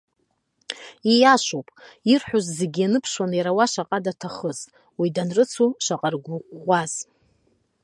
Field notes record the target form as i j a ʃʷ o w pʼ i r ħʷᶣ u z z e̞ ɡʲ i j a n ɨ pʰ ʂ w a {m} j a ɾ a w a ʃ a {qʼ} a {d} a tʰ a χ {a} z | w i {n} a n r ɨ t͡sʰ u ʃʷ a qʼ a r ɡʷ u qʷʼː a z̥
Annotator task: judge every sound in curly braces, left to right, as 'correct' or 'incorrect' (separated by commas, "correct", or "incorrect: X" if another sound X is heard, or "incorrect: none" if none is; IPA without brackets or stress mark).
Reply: incorrect: n, correct, correct, incorrect: ə, incorrect: d